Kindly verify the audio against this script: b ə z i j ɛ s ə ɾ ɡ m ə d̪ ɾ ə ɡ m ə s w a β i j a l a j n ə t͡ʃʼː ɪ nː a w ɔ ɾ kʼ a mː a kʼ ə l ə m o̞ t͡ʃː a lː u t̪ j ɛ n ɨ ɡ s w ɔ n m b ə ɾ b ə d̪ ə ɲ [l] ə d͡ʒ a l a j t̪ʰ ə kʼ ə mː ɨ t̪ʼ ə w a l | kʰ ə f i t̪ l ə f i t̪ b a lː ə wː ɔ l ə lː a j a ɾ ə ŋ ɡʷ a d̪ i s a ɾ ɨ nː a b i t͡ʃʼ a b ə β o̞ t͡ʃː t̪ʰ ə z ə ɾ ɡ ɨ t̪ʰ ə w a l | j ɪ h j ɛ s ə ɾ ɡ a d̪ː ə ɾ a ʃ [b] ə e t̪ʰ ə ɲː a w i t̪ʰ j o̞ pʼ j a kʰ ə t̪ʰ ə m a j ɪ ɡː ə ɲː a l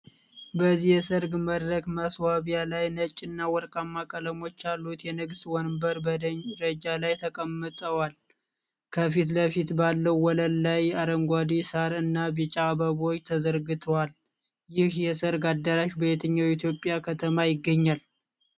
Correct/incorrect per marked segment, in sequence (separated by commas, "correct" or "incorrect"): incorrect, correct